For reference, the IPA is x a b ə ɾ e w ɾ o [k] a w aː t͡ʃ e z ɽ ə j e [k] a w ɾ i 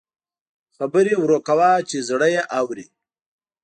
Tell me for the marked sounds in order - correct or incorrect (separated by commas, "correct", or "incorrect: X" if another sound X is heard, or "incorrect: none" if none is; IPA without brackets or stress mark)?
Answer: correct, incorrect: ʔ